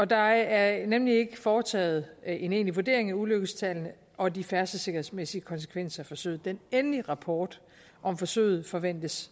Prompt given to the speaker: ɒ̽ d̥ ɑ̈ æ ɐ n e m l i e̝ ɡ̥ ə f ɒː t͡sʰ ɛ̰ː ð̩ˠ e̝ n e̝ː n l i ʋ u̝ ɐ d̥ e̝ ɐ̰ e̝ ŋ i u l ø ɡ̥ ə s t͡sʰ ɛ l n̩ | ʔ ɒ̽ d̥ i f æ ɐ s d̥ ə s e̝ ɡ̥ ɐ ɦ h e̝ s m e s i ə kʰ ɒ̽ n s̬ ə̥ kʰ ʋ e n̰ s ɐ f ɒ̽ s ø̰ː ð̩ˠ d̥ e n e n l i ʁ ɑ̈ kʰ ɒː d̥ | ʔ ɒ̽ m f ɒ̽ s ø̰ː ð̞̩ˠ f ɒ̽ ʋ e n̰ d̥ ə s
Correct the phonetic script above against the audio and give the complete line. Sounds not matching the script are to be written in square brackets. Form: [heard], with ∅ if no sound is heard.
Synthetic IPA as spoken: ɒ̽ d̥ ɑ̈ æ ɐ n e m l i e̝ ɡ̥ ə f ɒː t͡sʰ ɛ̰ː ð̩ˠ e̝ n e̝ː n l i ʋ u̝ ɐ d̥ e̝ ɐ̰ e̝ ŋ [æ] u l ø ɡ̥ ə s t͡sʰ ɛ l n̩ | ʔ ɒ̽ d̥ i f æ ɐ s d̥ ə s e̝ ɡ̥ ɐ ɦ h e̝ s m e s i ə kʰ ɒ̽ n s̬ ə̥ kʰ ʋ e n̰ s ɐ f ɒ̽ s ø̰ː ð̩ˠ d̥ e n e n l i ʁ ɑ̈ [pʰ] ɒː d̥ | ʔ ɒ̽ m f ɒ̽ s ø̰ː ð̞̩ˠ f ɒ̽ ʋ e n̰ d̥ ə s